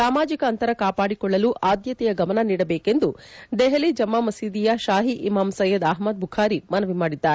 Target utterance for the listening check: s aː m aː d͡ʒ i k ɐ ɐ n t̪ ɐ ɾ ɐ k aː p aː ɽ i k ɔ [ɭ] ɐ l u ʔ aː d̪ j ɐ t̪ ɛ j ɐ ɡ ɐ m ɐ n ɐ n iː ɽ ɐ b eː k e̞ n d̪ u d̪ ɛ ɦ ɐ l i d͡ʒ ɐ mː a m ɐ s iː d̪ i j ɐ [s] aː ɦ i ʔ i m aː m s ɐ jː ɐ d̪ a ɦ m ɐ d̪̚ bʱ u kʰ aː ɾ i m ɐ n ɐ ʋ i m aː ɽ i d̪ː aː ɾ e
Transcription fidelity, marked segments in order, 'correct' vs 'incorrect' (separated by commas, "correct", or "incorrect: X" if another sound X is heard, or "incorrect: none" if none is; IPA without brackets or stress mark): incorrect: ɭː, incorrect: ʃ